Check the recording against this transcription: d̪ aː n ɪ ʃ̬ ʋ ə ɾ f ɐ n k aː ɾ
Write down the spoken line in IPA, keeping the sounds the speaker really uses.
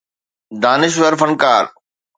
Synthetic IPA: d̪ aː n ɪ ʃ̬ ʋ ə ɾ f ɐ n k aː ɾ